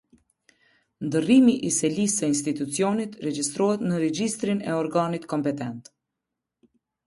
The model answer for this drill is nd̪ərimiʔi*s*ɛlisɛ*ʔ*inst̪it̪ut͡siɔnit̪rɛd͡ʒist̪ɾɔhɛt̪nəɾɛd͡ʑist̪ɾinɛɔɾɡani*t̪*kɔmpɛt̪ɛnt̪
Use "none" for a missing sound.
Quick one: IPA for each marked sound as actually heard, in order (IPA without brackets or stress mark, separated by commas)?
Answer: s, none, t̪